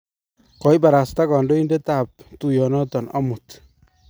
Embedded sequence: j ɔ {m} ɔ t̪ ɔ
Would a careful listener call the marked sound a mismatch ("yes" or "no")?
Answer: yes